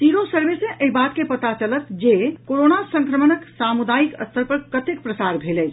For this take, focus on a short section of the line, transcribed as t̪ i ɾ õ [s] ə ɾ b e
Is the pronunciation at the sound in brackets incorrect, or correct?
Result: correct